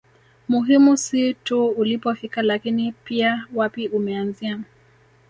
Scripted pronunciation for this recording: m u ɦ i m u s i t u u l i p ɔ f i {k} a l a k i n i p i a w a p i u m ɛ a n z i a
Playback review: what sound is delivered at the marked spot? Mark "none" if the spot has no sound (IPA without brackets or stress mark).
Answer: k